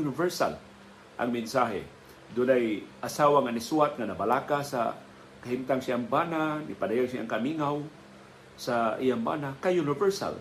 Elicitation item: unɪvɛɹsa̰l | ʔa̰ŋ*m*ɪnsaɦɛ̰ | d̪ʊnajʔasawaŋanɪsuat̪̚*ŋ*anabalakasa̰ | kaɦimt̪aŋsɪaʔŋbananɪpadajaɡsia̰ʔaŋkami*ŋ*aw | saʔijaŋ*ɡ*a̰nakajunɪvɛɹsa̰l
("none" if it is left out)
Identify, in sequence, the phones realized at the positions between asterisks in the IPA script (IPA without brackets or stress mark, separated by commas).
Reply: m, ŋ, ŋ, b